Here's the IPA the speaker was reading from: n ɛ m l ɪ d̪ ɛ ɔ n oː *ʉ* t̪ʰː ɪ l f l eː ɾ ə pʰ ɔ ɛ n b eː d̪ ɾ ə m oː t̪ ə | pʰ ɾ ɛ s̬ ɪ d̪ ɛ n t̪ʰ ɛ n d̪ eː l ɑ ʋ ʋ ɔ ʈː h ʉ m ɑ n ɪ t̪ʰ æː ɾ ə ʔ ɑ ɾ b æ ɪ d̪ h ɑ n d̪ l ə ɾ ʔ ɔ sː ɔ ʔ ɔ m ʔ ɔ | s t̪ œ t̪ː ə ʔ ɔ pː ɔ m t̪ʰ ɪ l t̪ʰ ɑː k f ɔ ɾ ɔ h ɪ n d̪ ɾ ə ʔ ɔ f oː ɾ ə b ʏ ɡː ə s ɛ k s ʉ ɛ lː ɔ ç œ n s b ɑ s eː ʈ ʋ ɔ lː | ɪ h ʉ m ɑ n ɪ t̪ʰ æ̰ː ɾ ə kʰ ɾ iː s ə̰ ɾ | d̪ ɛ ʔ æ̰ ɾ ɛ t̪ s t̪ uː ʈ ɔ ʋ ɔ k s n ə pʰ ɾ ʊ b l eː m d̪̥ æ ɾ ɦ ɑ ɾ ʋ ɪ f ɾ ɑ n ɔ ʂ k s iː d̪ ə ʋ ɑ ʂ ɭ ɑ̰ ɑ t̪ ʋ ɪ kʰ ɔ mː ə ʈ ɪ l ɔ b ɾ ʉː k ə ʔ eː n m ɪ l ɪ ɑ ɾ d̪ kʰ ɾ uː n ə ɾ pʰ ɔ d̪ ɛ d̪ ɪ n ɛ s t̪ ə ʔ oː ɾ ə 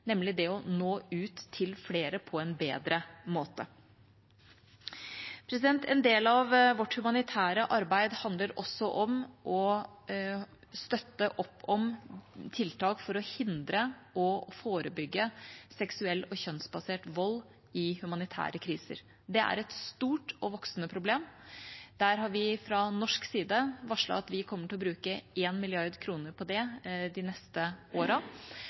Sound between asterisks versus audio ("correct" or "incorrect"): incorrect